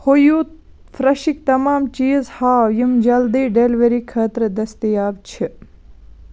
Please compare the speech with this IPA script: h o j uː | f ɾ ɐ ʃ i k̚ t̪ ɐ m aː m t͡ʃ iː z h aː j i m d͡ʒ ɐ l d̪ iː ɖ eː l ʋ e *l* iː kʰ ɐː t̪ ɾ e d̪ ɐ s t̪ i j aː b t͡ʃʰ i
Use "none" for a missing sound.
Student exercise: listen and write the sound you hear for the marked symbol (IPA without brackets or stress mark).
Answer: ɾ